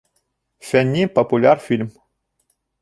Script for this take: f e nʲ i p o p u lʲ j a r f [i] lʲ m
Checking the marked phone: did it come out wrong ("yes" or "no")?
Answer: no